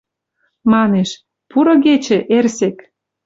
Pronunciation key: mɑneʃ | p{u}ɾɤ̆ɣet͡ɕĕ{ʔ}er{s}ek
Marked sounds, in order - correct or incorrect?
correct, correct, correct

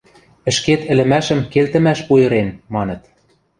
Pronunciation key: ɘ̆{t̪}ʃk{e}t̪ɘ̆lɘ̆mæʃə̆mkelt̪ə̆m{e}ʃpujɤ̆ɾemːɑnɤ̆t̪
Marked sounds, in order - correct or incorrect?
incorrect: none, correct, incorrect: æ

